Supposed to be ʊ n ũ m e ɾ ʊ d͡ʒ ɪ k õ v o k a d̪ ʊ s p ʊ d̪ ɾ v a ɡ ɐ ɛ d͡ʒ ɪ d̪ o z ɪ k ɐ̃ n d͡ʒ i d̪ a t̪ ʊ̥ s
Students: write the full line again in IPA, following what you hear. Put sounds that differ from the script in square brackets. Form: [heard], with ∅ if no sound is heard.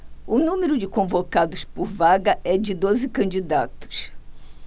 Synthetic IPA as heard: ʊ n ũ m e ɾ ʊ d͡ʒ ɪ k õ v o k a d̪ ʊ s p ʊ [∅] ɾ v a ɡ ɐ ɛ d͡ʒ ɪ d̪ o z ɪ k ɐ̃ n d͡ʒ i d̪ a t̪ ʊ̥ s